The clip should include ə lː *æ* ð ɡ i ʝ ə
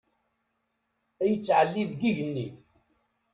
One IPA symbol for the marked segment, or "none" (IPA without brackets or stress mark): i